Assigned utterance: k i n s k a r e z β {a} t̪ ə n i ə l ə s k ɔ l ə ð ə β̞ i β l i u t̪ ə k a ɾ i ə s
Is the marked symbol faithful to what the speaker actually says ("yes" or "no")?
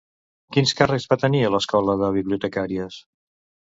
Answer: yes